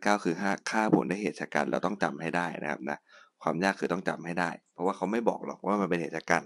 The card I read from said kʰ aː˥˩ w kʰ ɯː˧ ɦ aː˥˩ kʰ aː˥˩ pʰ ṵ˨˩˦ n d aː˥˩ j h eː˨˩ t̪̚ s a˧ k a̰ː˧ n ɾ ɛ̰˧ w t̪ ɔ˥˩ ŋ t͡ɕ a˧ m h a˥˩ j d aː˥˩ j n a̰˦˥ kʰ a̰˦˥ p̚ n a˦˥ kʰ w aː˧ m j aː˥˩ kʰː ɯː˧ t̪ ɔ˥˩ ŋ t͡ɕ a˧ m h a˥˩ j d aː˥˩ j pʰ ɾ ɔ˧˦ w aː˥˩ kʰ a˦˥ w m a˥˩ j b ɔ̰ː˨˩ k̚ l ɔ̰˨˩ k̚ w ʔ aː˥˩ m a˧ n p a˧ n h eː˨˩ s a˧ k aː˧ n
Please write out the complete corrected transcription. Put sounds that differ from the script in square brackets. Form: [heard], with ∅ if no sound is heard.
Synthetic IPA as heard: [k] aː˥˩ w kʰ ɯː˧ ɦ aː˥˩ kʰ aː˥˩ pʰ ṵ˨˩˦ n d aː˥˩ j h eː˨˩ t̪̚ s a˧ k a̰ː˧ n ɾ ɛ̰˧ w t̪ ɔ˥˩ ŋ t͡ɕ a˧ m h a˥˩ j d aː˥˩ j n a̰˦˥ kʰ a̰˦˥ p̚ n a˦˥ kʰ w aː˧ m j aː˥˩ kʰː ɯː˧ t̪ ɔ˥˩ ŋ t͡ɕ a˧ m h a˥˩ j d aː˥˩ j pʰ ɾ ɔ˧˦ w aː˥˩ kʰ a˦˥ w m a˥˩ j b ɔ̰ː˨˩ k̚ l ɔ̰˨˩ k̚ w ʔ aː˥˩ m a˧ n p [e˧] n h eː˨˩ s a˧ k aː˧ n